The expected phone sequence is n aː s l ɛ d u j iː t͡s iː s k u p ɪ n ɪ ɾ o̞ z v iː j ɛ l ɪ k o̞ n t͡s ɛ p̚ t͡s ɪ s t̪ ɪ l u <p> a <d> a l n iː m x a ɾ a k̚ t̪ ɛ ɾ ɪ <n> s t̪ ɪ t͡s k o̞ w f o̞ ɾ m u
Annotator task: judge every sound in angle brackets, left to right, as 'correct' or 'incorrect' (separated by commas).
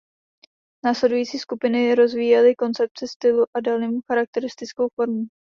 incorrect, correct, incorrect